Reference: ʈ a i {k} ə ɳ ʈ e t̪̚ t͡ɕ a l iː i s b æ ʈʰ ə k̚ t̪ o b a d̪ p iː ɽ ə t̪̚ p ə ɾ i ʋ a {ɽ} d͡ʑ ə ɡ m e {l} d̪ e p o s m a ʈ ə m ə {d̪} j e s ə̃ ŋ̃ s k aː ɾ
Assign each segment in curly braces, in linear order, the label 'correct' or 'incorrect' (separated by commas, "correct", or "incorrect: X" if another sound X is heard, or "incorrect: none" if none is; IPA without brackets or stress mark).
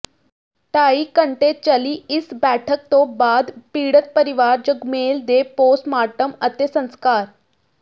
correct, incorrect: ɾ, correct, incorrect: t̪